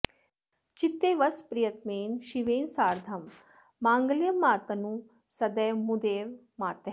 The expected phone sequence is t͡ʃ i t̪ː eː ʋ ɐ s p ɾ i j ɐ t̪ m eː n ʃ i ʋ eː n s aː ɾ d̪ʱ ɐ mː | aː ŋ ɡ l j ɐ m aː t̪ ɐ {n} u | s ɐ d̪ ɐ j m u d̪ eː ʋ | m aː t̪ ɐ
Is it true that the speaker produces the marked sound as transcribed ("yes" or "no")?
yes